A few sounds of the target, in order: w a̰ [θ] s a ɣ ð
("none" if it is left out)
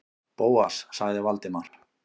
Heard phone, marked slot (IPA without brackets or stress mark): s